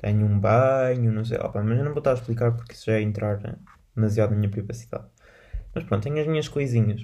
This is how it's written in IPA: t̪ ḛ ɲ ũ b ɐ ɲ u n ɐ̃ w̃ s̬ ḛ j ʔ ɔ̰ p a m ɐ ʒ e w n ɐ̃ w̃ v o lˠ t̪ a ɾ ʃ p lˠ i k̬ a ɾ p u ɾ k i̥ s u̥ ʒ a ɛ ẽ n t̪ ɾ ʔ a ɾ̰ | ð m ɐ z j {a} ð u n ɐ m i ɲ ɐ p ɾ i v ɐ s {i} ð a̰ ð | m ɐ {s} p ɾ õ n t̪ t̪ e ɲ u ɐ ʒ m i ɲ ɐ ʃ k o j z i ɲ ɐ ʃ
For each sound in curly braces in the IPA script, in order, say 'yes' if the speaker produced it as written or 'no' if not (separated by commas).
yes, yes, no